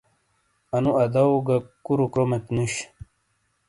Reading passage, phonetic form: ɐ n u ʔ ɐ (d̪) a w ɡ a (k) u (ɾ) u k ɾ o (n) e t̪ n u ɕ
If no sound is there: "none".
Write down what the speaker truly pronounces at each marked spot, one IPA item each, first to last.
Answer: d̪, k, ɾ, m

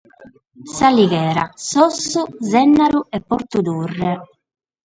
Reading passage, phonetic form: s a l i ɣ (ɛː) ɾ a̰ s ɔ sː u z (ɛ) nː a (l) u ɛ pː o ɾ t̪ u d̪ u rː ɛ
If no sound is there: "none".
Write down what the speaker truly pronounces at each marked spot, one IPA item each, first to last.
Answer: ɛː, ɛ, ɾ

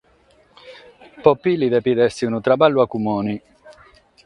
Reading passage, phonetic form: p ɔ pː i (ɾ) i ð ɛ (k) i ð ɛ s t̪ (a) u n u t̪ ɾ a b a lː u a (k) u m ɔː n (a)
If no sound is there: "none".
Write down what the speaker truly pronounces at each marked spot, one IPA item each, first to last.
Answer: l, p, i, k, i

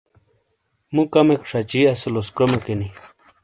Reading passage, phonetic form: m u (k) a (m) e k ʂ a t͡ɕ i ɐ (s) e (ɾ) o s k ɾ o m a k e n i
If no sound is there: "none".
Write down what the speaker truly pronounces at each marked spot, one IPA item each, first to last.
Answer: k, m, s, l

